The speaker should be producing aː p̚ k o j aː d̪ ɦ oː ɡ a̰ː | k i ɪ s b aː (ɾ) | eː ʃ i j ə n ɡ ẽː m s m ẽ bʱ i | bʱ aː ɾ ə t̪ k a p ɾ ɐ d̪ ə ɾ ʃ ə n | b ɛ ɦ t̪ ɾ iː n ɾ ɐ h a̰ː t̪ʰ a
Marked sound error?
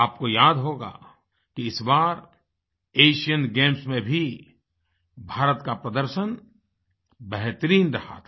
no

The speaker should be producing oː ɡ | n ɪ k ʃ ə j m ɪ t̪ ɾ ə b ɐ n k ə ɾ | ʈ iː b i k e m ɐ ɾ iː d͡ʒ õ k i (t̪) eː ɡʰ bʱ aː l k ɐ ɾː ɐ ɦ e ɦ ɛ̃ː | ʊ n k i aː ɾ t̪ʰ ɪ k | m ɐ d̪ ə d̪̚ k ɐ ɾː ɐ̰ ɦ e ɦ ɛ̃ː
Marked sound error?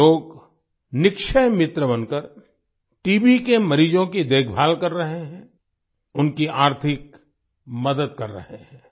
yes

